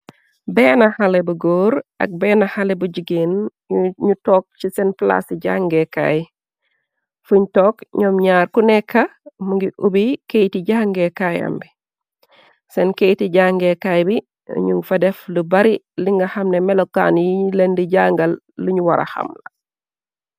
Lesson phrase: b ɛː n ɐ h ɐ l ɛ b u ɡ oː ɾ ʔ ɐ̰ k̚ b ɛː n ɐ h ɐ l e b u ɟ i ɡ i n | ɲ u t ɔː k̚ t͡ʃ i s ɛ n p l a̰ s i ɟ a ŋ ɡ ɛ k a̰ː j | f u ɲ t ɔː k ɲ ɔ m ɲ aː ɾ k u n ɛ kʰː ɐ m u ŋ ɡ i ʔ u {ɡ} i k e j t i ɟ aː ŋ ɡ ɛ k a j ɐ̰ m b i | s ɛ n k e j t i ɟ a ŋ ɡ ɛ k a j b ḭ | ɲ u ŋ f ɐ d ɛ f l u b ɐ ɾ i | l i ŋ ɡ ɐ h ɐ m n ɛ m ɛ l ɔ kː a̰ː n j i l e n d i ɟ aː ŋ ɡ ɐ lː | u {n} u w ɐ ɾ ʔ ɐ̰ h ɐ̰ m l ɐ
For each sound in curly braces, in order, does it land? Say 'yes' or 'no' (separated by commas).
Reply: no, no